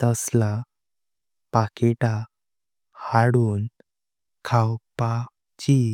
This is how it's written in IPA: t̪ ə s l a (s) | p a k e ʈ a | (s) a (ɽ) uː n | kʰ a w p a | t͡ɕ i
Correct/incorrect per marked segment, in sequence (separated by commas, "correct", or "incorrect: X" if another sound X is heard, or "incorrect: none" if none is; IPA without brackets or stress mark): incorrect: none, incorrect: h, correct